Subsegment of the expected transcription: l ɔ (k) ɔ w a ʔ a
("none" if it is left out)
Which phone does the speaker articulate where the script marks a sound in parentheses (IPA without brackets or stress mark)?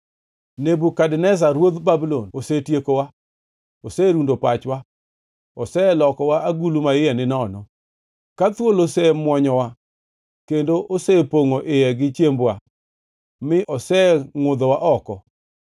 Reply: k